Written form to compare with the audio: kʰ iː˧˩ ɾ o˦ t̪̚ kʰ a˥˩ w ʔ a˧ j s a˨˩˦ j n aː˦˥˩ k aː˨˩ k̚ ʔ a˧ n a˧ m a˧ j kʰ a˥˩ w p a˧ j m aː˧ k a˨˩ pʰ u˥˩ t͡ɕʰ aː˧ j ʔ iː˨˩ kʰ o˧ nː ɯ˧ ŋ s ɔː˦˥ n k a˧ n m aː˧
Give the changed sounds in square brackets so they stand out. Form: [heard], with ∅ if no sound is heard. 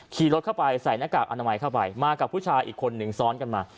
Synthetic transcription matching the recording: kʰ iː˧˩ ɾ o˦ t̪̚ kʰ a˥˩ w [p] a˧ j s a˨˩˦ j n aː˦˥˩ k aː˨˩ k̚ ʔ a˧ n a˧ m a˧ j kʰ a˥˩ w p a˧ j m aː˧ k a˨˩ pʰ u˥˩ t͡ɕʰ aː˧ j ʔ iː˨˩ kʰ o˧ nː [ɯ˨˩] ŋ s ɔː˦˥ n k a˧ n m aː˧